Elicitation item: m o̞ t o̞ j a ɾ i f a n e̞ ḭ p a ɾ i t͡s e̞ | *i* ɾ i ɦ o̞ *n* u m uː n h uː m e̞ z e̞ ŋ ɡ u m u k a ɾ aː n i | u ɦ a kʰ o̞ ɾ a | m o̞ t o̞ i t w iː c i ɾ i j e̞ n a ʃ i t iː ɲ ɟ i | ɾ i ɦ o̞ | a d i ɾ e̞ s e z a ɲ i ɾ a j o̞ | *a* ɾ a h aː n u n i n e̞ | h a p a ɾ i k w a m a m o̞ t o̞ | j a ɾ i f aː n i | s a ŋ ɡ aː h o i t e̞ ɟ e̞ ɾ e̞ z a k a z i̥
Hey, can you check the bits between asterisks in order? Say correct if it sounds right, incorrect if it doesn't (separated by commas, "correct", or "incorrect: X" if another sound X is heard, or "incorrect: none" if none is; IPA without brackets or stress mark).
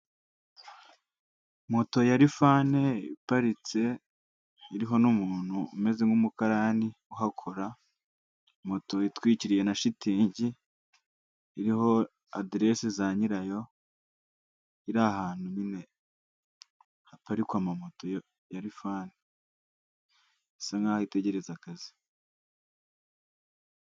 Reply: correct, correct, incorrect: i